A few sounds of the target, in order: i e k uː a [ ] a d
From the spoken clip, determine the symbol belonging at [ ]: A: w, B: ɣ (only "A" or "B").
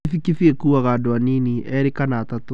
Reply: B